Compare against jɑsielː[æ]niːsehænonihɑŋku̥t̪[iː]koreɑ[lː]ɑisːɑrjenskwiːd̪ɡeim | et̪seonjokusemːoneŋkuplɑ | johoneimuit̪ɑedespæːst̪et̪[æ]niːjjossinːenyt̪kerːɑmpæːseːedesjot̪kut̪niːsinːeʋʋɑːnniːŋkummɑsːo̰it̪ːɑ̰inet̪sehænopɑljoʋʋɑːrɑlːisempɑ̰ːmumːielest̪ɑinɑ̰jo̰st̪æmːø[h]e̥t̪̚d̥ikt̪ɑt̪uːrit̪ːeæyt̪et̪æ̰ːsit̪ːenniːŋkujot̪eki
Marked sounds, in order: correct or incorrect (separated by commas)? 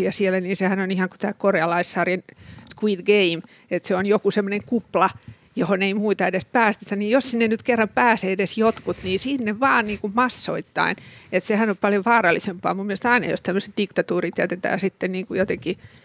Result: correct, incorrect, incorrect, correct, incorrect